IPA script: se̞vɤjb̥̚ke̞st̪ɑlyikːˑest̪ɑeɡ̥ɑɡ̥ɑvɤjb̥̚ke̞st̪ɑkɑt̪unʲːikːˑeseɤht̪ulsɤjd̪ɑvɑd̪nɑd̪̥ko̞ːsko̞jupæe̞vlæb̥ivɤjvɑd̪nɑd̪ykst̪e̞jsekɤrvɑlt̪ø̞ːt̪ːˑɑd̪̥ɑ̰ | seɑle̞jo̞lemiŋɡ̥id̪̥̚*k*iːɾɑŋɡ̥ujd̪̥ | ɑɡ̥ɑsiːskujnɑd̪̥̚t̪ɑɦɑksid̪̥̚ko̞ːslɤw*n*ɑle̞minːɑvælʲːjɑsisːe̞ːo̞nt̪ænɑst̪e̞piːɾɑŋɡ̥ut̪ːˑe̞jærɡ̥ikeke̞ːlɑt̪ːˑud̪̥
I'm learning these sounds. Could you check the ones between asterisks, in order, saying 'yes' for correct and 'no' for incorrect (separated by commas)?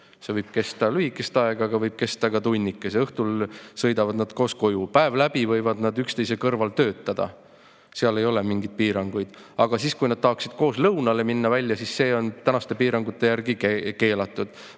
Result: no, yes